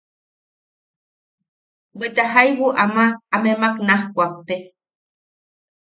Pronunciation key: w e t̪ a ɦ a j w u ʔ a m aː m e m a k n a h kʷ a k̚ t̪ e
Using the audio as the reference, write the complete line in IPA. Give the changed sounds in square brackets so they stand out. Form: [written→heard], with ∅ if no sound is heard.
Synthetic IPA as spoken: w e t̪ a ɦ a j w u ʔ a m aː m e m a k n a h kʷ a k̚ t̪ e